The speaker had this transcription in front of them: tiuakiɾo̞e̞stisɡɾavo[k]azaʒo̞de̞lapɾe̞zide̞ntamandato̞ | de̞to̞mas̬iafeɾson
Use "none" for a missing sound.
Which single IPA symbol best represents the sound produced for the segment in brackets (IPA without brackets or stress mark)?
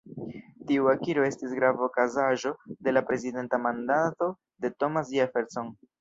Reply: k